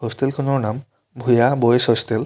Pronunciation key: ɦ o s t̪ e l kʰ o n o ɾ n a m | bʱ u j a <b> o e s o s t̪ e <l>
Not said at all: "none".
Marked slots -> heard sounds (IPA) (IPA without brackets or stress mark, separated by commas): b, l